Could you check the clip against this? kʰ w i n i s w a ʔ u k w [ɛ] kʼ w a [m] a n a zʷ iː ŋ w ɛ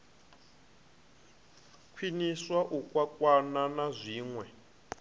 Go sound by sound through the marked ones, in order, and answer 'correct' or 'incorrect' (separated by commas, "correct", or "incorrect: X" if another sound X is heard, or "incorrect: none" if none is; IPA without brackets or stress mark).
incorrect: a, incorrect: n